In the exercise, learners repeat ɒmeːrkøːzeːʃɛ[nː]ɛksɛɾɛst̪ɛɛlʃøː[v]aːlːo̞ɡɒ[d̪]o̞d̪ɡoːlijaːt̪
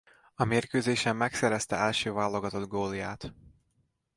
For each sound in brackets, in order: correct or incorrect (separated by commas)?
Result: incorrect, correct, incorrect